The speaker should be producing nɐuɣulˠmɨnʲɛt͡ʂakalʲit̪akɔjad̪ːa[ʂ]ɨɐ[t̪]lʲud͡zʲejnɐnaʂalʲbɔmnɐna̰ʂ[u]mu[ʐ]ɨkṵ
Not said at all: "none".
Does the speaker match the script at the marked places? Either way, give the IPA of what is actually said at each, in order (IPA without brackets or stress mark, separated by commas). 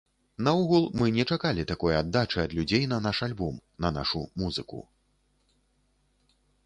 t͡ʂ, d̪, u, z